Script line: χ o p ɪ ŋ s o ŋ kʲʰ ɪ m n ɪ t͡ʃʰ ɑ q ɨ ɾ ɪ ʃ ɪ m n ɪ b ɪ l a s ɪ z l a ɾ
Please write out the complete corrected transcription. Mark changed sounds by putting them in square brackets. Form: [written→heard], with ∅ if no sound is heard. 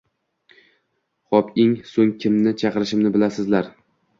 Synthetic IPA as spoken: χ [o→ɒ] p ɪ ŋ s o ŋ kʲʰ ɪ m n ɪ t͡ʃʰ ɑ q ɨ ɾ ɪ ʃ ɪ m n ɪ b ɪ l a s ɪ z l a ɾ

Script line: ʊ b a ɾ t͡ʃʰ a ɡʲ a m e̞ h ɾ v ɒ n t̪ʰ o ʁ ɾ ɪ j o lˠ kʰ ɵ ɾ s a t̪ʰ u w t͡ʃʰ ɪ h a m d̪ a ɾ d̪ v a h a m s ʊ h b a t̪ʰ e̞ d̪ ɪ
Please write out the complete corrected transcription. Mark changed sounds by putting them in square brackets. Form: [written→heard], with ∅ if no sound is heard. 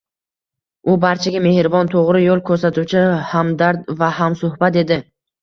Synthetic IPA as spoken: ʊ b a ɾ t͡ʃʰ a ɡʲ a m e̞ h ɾ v ɒ n t̪ʰ o ʁ ɾ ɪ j o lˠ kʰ ɵ ɾ s a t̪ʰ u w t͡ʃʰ ɪ h a m d̪ a ɾ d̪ v a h a m s ʊ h b a [t̪ʰ→t̪] e̞ d̪ ɪ

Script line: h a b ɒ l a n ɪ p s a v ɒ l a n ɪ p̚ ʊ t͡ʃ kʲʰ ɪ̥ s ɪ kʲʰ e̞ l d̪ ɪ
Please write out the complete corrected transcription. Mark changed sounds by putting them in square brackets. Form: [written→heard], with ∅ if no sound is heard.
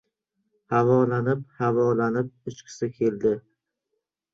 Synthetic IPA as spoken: h a [b→v] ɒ l a n ɪ p [s→h] a v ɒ l a n ɪ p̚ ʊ t͡ʃ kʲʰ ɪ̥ s ɪ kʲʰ e̞ l d̪ ɪ

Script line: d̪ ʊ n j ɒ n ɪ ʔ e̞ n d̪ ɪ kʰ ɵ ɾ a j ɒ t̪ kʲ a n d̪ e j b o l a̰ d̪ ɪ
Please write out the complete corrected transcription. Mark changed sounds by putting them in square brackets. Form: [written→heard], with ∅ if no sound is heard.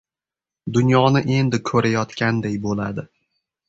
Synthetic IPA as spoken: d̪ ʊ n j ɒ n ɪ ʔ e̞ n d̪ ɪ kʰ ɵ ɾ a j ɒ t̪ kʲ a n d̪ e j b o l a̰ d̪ ɪ

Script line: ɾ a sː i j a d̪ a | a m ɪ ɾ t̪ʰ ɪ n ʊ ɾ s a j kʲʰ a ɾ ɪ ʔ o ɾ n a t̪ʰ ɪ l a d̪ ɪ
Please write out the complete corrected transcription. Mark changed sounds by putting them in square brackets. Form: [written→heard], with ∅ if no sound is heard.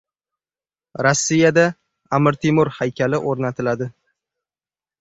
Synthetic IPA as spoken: ɾ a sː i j a d̪ a | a m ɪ ɾ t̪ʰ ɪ [n→m] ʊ ɾ [s→h] a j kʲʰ a [ɾ→l] ɪ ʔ o ɾ n a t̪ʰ ɪ l a d̪ ɪ

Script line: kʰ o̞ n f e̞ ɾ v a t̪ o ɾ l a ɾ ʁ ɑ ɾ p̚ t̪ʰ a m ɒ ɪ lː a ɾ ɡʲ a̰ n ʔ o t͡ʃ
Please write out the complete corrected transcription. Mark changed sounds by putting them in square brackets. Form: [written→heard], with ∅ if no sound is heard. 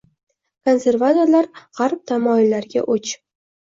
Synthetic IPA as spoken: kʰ o̞ n [f→s] e̞ ɾ v a t̪ o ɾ l a ɾ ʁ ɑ ɾ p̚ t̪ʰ a m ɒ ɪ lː a ɾ ɡʲ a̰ [n→∅] ʔ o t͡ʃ

